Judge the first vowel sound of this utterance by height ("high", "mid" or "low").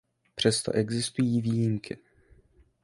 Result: mid